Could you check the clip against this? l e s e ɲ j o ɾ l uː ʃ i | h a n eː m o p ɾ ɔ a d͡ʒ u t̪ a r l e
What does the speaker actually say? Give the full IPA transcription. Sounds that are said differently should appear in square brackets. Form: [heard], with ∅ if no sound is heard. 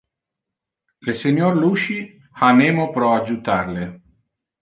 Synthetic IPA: l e s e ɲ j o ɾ l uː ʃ i | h a n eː m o p ɾ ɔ a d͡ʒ u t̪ a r l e